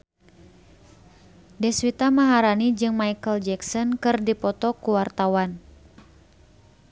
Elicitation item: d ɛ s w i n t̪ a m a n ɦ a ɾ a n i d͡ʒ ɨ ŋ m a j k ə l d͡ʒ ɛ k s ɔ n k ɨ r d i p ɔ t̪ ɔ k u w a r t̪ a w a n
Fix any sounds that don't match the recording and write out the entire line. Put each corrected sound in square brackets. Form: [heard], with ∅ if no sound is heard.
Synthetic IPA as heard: d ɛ s w i [∅] t̪ a m a [∅] ɦ a ɾ a n i d͡ʒ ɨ ŋ m a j k ə l d͡ʒ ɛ k s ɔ n k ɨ r d i p ɔ t̪ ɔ k u w a r t̪ a w a n